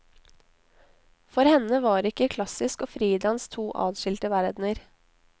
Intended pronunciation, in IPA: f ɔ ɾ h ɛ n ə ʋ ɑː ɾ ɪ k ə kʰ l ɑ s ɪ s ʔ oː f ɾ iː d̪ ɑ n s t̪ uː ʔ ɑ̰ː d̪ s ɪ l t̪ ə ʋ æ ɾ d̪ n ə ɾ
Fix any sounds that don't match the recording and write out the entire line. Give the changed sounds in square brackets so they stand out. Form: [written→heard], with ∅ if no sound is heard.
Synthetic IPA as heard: f ɔ ɾ h ɛ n ə ʋ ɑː ɾ ɪ k ə kʰ l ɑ s ɪ s [ʔ→k] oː f ɾ iː d̪ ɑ n s [t̪→t̪ʰ] uː ʔ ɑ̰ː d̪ [s→ʃ] ɪ l t̪ ə ʋ æ ɾ d̪ n ə ɾ

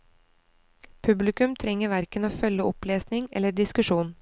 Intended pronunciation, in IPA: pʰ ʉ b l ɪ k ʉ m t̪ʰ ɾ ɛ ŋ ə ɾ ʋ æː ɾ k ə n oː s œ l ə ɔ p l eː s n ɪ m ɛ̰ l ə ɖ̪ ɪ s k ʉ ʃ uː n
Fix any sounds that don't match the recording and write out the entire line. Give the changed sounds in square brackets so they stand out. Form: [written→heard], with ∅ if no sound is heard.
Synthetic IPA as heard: pʰ ʉ b l ɪ k ʉ m t̪ʰ ɾ ɛ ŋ ə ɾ ʋ [æː→æ] ɾ k ə n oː [s→f] œ l ə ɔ p l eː s n ɪ [m→ŋ] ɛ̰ l ə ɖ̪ ɪ s k ʉ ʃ uː n

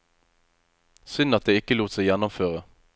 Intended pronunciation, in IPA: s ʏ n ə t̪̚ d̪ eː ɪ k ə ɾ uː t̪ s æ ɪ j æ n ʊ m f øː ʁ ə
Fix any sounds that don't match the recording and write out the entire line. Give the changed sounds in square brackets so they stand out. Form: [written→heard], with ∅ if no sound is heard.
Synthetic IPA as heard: s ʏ n [ə→ɑ] t̪̚ d̪ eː ɪ k ə [ɾ→l] uː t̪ s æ ɪ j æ n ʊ m f øː ʁ ə

